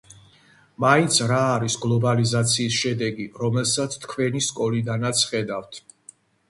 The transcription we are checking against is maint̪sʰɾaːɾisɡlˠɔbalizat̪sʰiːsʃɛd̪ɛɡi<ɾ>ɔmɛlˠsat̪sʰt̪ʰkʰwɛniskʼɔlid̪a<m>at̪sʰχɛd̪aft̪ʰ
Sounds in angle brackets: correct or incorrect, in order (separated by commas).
correct, incorrect